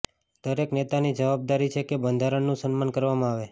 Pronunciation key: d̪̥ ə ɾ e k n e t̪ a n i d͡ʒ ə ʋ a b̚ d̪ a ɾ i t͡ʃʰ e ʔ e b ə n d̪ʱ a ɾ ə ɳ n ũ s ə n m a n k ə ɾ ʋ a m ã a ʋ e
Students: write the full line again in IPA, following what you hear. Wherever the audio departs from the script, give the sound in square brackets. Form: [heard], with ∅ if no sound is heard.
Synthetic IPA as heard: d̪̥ ə ɾ e k n e t̪ a n i d͡ʒ ə ʋ a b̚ d̪ a ɾ i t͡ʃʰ e [k] e b ə n d̪ʱ a ɾ ə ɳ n ũ s ə n m a n k ə ɾ ʋ a m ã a ʋ e